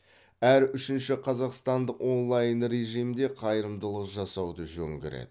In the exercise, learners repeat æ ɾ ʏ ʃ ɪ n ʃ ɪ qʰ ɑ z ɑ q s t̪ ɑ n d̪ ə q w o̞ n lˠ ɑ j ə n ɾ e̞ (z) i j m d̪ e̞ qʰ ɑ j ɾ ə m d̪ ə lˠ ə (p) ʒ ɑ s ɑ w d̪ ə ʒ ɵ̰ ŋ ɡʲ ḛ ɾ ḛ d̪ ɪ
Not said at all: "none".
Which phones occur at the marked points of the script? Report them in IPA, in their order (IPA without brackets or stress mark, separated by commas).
ʒ, q